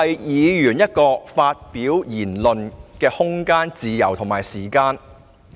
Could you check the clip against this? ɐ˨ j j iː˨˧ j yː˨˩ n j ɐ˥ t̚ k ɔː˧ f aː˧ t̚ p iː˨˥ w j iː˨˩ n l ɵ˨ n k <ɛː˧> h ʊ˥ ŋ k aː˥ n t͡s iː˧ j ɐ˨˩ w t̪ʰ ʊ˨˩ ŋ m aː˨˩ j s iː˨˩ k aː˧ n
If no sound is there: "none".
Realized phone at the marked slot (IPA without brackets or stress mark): ɛː˧